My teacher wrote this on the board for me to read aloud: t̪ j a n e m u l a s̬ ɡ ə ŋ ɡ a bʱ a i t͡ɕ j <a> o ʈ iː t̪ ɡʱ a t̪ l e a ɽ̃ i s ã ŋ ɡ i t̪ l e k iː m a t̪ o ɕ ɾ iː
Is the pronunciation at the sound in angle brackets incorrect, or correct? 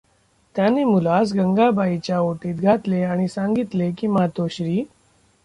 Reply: correct